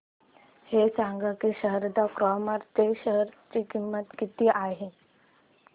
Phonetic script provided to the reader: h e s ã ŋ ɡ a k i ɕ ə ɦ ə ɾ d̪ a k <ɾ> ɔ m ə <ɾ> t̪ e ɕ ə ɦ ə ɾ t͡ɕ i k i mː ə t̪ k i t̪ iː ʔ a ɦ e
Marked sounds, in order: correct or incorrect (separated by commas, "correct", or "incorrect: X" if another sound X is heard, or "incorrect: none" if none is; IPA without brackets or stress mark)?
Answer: correct, correct